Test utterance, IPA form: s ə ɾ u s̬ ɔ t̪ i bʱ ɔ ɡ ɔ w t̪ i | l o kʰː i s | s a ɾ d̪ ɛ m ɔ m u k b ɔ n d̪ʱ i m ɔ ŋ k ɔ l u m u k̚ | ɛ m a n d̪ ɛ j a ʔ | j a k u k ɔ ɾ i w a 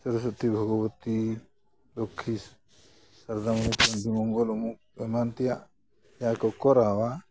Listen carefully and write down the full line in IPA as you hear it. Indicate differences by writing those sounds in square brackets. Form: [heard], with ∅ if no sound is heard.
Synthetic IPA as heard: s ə ɾ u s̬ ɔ t̪ i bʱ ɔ ɡ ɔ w t̪ i | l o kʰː i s | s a ɾ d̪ [a] m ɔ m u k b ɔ n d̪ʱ i m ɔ ŋ [ɡ] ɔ l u m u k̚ | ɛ m a n [t̪] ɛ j a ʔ | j a k [ɔ] k ɔ ɾ [a] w a